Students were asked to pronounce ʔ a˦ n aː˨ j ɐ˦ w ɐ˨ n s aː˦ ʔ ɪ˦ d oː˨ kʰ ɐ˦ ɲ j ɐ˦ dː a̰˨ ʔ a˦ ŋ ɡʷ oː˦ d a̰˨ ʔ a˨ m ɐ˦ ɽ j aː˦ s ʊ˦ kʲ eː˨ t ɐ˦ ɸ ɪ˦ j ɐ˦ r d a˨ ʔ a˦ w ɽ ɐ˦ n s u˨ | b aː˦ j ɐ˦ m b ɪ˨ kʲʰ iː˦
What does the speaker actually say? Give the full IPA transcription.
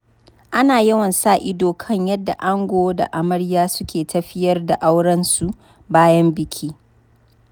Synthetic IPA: ʔ a˦ n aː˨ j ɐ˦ w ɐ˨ n s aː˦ ʔ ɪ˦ d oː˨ kʰ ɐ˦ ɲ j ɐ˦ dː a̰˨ ʔ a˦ ŋ ɡʷ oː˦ d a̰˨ ʔ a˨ m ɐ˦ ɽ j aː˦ s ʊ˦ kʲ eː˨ t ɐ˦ ɸ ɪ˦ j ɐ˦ r d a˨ ʔ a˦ w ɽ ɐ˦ n s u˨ | b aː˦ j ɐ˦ m b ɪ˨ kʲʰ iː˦